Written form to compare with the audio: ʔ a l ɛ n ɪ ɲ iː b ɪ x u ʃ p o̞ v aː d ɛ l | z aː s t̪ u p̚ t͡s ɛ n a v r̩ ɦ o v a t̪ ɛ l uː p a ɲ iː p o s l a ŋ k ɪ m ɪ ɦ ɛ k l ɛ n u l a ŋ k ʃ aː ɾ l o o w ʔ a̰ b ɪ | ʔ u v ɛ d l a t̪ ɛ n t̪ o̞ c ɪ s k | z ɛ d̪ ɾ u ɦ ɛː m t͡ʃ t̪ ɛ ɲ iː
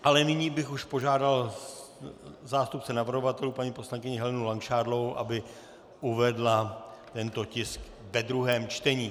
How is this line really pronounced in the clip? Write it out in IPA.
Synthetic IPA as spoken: ʔ a l ɛ n ɪ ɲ iː b ɪ x u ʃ p o̞ ʒ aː d a l | z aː s t̪ u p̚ t͡s ɛ n a v r̩ ɦ o v a t̪ ɛ l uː p a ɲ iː p o s l a ŋ k ɪ ɲ ɪ ɦ ɛ l ɛ n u l a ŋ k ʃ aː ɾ l o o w ʔ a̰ b ɪ | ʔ u v ɛ d l a t̪ ɛ n t̪ o̞ c ɪ s k | v ɛ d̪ ɾ u ɦ ɛː m t͡ʃ t̪ ɛ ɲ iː